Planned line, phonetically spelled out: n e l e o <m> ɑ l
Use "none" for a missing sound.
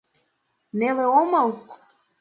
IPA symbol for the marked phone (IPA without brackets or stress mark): m